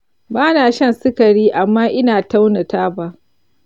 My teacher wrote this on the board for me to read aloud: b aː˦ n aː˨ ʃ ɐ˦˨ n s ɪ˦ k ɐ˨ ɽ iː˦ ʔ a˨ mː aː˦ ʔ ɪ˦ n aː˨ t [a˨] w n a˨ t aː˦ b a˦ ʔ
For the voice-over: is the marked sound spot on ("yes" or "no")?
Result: no